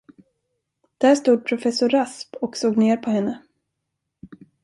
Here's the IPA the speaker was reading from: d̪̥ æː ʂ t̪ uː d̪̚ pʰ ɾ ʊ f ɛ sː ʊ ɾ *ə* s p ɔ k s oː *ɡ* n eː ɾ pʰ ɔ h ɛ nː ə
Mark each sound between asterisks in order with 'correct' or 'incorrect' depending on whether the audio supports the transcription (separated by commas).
incorrect, correct